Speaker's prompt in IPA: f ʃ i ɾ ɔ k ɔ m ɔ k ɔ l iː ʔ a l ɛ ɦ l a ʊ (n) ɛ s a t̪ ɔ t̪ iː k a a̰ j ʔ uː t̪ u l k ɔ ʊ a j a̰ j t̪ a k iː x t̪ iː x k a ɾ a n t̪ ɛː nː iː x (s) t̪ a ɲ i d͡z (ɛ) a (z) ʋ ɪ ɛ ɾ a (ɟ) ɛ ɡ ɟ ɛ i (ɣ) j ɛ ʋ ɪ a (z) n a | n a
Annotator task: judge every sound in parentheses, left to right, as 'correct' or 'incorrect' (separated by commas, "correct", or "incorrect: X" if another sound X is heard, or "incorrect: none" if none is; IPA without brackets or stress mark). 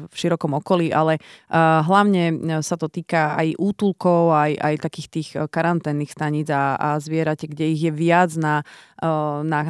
incorrect: ɲ, correct, incorrect: a, correct, incorrect: c, correct, incorrect: d͡z